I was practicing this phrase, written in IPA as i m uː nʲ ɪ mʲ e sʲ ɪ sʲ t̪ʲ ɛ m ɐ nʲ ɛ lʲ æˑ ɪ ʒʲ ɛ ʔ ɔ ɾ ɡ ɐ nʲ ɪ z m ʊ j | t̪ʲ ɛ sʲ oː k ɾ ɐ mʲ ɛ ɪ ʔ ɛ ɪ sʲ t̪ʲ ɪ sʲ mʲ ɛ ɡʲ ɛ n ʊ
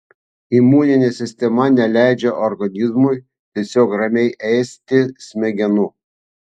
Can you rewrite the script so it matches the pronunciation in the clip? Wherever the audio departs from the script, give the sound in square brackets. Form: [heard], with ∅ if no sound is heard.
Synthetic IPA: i m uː nʲ ɪ [nʲ] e sʲ ɪ sʲ t̪ʲ ɛ m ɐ nʲ ɛ lʲ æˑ ɪ [d͡ʒʲ] ɛ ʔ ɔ ɾ ɡ ɐ nʲ ɪ z m ʊ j | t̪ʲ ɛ sʲ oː k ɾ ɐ mʲ ɛ ɪ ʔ ɛ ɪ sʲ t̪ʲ ɪ sʲ mʲ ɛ ɡʲ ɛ n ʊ